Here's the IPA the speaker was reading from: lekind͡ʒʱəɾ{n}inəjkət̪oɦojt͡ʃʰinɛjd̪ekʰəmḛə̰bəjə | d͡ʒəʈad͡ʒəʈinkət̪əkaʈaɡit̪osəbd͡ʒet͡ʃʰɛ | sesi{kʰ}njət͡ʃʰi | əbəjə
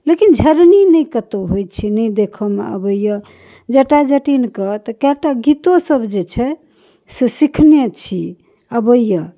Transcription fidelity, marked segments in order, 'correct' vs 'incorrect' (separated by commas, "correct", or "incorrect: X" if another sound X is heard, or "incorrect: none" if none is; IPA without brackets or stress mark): correct, correct